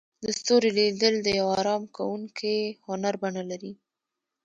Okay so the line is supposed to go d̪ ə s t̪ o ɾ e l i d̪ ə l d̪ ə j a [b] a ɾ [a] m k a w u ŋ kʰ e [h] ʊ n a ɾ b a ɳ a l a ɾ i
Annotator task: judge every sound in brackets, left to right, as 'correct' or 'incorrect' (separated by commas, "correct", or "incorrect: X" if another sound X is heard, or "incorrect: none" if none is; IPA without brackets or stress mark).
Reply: incorrect: w, incorrect: ɑ, correct